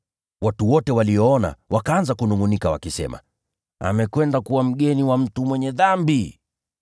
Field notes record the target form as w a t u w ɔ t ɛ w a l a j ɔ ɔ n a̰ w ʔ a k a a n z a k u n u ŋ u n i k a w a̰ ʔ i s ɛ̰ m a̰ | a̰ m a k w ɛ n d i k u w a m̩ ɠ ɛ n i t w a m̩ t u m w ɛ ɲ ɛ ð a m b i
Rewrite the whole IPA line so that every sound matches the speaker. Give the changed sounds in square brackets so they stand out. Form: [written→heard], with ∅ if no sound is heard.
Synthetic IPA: w a t u w ɔ t ɛ w a l [a→i] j ɔ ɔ n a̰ w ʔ a k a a n z a k u n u ŋ u n i k a w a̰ [ʔ→k] i s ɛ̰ m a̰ | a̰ m [a→ɛ] k w ɛ n d [i→a] k u w a m̩ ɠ ɛ n i [t→∅] w a m̩ t u m w ɛ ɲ ɛ ð a m b i